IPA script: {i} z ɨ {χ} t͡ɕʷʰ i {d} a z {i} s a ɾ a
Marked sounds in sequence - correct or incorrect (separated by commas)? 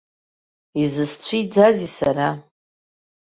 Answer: correct, incorrect, incorrect, correct